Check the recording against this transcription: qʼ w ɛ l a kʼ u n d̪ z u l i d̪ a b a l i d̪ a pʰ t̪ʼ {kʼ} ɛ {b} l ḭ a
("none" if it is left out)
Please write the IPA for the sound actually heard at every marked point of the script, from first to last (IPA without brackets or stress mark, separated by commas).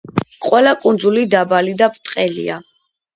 qʼ, none